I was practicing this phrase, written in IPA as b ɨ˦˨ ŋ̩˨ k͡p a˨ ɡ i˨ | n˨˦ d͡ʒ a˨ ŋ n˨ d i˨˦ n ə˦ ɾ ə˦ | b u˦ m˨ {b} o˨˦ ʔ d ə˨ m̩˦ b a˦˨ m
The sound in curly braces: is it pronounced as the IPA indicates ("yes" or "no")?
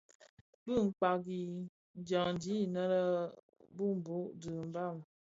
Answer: yes